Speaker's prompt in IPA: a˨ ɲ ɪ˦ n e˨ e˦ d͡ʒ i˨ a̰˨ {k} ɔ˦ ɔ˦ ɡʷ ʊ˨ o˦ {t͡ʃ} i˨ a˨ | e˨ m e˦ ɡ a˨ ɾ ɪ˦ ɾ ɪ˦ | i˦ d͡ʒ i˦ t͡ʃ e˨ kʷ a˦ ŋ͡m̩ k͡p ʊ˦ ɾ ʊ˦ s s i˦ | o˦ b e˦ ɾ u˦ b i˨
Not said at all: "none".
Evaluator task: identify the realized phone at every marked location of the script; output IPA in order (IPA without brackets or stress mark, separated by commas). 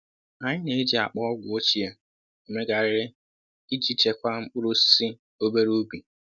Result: k͡p, t͡ʃ